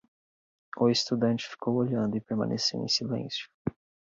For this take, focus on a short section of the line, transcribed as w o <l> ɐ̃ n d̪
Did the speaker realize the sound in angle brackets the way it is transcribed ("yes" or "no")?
no